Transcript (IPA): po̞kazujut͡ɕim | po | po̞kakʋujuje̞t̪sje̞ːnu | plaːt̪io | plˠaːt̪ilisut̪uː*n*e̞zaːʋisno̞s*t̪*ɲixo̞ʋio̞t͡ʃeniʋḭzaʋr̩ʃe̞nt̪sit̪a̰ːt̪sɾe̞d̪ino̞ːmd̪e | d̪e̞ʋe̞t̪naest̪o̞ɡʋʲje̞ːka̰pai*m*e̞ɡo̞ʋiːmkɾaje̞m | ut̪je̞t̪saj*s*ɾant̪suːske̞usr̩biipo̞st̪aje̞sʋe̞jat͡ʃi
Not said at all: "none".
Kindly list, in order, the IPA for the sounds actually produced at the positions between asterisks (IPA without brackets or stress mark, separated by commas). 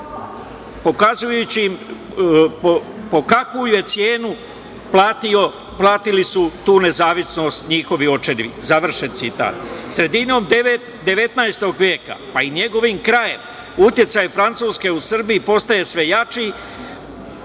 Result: n, t̪, ɲ, f